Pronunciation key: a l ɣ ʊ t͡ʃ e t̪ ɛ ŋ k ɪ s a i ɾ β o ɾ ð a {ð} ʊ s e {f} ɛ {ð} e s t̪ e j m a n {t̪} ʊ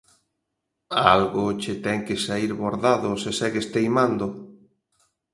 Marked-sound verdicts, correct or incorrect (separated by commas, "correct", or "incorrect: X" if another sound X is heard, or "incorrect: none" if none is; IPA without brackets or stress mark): correct, incorrect: s, incorrect: ɣ, incorrect: d̪